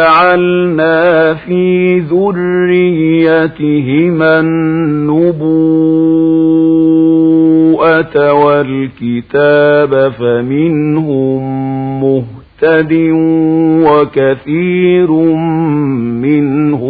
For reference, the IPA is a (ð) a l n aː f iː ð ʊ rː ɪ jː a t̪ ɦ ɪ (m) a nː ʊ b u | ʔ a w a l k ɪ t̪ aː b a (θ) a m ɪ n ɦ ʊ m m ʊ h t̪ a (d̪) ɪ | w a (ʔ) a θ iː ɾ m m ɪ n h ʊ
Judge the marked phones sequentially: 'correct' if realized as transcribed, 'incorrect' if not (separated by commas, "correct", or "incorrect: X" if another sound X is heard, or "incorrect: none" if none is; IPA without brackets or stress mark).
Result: incorrect: ʕ, correct, incorrect: f, correct, incorrect: k